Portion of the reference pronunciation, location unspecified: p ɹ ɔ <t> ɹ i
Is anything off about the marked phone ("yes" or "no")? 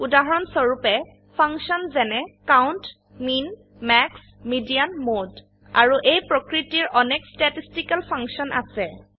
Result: yes